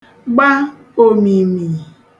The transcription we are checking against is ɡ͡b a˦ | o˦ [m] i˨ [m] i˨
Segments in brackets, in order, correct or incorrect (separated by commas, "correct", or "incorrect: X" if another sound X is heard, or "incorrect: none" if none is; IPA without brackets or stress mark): correct, correct